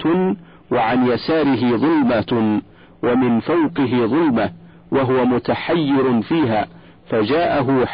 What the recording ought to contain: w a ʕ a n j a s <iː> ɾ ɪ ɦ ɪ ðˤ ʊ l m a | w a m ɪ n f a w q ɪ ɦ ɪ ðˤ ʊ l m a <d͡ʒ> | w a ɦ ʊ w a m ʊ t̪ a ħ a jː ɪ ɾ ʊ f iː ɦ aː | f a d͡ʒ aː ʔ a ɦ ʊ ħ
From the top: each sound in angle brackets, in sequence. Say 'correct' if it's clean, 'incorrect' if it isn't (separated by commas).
incorrect, incorrect